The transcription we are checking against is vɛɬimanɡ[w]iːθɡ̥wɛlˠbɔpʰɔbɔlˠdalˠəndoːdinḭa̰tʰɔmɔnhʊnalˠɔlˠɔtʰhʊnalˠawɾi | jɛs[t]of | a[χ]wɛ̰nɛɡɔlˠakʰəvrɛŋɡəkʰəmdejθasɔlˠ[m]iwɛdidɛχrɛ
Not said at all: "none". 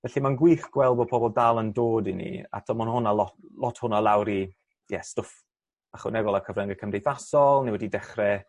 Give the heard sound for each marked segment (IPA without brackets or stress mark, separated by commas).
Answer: w, t, χ, n